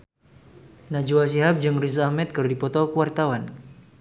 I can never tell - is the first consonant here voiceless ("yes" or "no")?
no